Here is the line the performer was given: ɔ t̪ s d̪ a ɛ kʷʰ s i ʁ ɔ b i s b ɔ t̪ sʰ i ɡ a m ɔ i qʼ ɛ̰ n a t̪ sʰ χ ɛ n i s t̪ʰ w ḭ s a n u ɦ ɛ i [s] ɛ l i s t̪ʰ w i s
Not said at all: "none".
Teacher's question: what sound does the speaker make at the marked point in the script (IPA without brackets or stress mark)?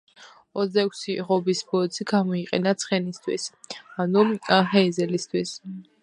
z